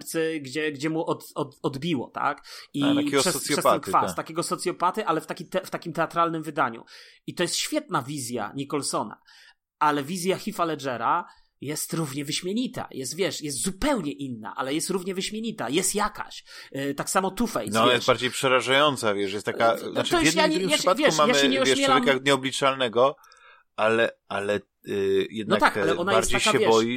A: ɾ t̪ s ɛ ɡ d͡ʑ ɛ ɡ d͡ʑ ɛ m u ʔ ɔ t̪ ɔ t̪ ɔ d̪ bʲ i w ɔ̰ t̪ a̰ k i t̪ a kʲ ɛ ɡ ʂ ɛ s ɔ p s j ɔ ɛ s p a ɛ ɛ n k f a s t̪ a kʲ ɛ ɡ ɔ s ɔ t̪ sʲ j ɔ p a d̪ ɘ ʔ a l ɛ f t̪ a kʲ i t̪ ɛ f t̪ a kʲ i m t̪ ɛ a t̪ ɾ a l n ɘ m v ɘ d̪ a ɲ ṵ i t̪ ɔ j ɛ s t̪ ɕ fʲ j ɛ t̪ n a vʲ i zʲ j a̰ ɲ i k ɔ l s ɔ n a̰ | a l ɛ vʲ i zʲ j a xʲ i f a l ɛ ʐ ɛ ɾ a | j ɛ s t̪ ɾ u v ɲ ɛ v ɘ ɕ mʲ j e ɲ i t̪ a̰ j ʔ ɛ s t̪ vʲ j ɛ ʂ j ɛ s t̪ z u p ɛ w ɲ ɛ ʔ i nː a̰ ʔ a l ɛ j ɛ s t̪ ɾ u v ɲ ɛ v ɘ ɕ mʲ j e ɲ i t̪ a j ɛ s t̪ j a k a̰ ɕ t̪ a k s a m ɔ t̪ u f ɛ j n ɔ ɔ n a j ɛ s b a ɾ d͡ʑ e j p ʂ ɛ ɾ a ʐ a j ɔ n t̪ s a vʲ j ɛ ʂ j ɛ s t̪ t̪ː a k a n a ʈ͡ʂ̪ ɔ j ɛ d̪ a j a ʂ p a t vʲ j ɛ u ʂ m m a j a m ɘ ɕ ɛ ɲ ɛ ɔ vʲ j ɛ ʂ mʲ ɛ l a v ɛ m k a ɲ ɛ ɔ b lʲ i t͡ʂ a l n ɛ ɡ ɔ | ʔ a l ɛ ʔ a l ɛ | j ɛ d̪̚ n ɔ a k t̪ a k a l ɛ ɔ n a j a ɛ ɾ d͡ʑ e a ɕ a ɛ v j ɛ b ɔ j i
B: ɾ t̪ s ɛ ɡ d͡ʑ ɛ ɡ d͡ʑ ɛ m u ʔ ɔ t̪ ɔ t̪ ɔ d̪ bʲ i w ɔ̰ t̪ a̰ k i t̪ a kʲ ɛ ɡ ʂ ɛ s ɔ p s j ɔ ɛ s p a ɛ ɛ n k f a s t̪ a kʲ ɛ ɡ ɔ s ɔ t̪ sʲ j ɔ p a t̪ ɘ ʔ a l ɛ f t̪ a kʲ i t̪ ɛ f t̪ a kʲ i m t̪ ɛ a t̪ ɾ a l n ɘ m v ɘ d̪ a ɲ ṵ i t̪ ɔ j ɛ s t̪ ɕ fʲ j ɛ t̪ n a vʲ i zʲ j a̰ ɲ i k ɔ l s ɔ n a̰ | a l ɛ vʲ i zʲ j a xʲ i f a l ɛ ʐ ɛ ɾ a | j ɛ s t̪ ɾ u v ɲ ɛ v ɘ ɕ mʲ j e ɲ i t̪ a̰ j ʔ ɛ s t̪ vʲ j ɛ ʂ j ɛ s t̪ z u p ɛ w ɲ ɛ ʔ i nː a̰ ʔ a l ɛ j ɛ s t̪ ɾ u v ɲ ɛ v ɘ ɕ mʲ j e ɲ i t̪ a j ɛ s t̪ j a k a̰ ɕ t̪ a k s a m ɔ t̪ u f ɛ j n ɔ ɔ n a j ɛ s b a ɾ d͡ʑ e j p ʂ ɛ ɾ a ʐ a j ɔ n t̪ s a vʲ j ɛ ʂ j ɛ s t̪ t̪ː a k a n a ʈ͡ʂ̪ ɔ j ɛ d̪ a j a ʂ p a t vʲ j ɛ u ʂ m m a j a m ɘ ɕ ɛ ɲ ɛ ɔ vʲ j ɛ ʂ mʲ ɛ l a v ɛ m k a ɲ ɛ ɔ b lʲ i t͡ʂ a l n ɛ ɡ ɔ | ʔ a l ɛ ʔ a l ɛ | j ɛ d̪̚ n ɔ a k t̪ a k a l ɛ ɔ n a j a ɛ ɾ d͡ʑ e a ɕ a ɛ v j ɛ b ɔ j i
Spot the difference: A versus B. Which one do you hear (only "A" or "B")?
B